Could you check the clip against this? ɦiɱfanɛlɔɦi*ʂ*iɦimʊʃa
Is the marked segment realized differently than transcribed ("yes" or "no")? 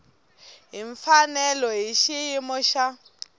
yes